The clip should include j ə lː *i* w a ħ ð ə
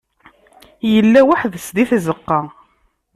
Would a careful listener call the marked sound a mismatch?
yes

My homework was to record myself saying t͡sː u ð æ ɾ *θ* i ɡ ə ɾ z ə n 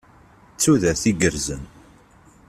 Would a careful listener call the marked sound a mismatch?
no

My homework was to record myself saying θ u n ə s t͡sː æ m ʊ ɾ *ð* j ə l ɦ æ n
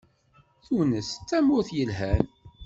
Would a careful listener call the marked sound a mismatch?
yes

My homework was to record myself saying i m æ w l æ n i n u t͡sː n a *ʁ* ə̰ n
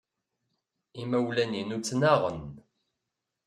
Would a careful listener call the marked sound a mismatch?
no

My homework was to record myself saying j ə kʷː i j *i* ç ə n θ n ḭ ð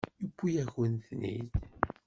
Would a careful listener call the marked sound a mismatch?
yes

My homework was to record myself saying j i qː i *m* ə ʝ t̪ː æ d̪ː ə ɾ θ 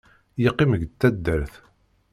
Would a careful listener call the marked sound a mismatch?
no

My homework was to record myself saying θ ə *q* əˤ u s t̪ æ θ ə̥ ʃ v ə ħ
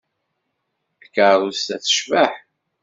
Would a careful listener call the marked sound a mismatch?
yes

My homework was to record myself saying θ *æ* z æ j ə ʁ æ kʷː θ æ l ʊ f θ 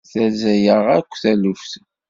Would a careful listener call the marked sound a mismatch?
no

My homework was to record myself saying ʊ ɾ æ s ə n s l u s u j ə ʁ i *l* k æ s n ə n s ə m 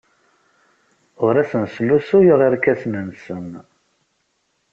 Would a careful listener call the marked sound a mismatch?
yes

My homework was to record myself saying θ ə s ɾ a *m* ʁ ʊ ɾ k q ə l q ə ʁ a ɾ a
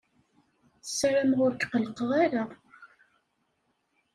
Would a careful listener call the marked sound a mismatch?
no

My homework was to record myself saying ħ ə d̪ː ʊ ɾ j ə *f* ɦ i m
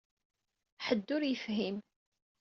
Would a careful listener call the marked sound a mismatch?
no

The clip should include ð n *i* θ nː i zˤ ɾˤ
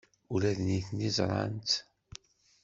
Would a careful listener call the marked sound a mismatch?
no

